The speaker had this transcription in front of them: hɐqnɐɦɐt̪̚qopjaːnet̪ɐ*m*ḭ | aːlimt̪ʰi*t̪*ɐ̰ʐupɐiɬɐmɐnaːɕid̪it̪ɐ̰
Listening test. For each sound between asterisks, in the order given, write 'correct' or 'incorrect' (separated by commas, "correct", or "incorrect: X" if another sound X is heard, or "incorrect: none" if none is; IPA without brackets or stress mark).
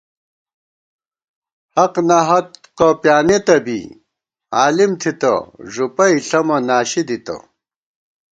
incorrect: b, correct